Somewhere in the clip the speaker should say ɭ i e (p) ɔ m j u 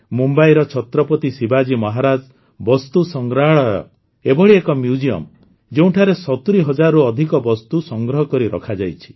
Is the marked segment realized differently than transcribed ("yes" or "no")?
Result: yes